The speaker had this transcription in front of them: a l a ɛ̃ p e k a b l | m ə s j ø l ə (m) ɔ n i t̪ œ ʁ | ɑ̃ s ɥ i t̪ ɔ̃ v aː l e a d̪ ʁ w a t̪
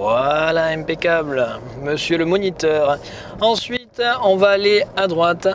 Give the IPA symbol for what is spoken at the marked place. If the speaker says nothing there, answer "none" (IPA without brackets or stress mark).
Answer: m